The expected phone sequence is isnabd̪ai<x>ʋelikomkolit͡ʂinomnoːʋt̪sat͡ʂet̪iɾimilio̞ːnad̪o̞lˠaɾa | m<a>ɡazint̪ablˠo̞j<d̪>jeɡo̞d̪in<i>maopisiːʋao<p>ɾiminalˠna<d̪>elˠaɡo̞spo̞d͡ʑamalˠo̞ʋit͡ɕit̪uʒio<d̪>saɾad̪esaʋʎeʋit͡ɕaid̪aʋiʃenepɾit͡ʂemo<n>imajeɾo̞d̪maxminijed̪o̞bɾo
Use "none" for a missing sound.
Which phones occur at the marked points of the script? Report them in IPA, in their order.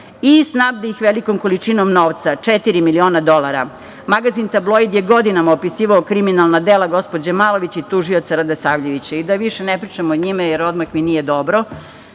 x, a, d̪, a, k, d̪, t̪, ɲ

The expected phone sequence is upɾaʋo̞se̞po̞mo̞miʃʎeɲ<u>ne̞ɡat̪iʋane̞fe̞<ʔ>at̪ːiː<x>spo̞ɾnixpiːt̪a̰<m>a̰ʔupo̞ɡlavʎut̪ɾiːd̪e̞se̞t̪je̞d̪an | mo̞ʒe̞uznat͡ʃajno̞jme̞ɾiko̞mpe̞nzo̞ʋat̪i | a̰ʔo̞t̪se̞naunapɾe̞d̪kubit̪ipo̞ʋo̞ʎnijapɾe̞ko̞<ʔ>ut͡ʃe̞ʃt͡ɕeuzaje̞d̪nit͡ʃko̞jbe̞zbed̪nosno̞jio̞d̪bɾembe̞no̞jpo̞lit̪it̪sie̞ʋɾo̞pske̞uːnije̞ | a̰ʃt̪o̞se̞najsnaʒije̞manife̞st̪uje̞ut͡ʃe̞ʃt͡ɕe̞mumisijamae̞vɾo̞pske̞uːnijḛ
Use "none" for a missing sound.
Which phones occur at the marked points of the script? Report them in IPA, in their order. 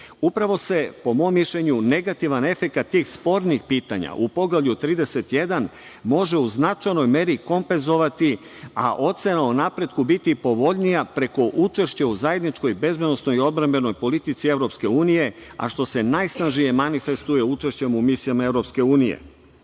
u, k, x, ɲ, ʔ

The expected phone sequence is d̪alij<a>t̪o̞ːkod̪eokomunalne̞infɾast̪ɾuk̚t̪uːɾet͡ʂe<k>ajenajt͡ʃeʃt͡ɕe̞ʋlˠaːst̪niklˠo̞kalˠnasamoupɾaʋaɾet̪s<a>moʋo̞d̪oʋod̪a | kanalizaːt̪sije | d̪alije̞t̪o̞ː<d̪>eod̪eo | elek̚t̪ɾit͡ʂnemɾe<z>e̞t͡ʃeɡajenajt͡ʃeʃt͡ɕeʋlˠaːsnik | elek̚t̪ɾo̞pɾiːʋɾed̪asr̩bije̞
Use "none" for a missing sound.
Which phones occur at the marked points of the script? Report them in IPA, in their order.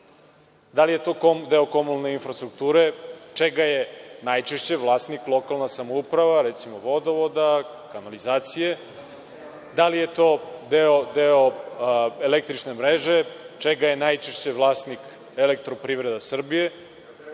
e, ɡ, i, d̪, ʒ

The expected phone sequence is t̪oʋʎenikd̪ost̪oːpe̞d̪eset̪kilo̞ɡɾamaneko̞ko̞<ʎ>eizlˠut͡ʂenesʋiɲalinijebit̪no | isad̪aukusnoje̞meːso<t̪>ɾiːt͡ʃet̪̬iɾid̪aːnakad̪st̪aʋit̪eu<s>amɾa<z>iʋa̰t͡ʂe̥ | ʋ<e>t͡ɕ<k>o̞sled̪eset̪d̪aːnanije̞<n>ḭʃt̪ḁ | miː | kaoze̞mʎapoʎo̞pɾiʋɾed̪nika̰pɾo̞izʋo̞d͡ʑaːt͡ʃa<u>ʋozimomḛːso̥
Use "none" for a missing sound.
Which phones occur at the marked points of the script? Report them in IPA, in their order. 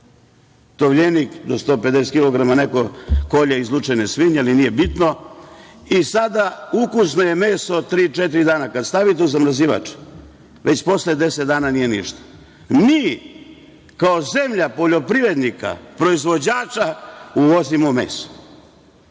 ʎ, t̪, z, z, e, p, n, u

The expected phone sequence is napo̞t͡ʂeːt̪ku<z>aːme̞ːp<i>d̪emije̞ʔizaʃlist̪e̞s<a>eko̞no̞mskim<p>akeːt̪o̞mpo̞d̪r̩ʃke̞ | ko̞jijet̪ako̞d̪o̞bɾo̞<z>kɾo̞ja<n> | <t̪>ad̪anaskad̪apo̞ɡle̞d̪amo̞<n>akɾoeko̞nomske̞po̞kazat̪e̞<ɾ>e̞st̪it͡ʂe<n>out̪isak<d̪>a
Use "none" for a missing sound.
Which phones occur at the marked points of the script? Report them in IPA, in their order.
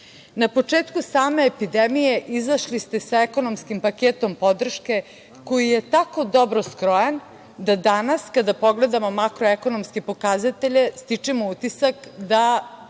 s, i, a, p, s, n, d̪, m, ʎ, m, d̪

